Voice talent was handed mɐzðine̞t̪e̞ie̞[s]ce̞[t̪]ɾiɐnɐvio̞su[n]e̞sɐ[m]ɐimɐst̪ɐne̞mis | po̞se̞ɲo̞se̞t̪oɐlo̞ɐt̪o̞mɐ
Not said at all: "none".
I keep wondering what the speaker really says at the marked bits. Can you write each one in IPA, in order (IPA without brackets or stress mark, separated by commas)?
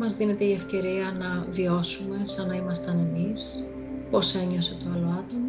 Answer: f, none, m, n